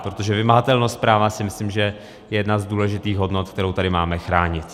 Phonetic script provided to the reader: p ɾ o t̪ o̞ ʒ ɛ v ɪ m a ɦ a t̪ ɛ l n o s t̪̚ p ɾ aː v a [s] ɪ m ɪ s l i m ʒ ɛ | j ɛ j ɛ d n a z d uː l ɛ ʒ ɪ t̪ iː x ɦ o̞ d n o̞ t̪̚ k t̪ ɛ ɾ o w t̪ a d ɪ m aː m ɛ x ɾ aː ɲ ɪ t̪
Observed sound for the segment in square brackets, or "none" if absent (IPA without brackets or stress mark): s